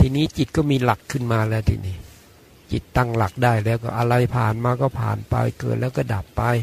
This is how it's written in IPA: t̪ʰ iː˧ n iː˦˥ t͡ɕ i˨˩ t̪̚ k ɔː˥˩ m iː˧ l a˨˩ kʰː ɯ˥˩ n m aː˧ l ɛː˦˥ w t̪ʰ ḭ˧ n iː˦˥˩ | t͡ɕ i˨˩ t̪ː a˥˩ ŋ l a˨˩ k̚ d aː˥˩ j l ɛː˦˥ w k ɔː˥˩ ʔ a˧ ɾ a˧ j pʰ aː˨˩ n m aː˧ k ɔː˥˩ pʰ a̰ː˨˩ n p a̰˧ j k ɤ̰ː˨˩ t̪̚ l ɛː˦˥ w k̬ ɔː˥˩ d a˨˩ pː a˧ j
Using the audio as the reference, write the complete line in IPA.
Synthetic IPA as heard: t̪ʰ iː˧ n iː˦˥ t͡ɕ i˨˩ t̪̚ k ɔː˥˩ m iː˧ l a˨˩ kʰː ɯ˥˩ n m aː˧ l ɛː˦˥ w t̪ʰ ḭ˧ n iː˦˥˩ | t͡ɕ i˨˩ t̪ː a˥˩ ŋ l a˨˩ k̚ d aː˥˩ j l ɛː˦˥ w k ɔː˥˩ ʔ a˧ ɾ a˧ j pʰ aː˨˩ n m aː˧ k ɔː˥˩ pʰ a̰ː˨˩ n p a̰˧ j k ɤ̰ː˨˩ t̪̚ l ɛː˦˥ w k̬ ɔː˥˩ d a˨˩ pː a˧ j